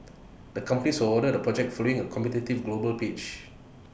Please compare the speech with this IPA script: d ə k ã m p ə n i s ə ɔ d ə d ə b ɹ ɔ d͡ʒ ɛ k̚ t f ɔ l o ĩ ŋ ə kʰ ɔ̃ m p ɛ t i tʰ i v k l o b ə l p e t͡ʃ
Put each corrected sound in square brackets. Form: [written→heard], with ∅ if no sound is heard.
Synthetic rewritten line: d ə k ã m p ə n i s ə ɔ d ə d ə [b→p] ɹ ɔ d͡ʒ ɛ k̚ t f ɔ l o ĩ ŋ ə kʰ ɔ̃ m p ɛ t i [tʰ→t] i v [k→ɡ] l o b ə l p e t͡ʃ